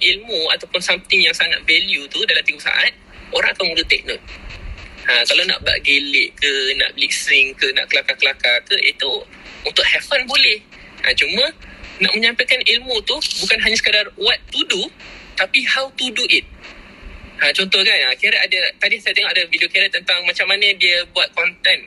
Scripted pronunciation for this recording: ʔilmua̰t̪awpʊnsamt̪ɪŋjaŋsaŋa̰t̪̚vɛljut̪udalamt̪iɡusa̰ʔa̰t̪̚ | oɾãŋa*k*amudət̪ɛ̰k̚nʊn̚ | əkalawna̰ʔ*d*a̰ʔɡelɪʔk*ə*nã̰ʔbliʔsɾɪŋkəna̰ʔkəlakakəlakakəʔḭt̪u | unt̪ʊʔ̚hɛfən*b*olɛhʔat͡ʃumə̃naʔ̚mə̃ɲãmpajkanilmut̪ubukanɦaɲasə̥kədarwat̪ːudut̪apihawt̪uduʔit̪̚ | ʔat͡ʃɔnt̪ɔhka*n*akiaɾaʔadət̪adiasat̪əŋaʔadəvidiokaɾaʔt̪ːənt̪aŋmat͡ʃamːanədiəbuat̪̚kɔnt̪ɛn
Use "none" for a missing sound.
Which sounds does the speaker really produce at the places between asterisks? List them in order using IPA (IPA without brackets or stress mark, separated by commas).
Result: k, b, ə, b, n